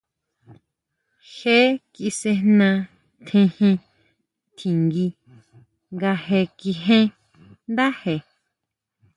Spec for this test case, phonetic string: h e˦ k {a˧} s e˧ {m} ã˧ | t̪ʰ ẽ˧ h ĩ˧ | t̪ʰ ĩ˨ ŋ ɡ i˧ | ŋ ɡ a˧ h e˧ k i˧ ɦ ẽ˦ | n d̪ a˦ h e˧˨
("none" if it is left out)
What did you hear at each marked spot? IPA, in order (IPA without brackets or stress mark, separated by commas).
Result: i˧, n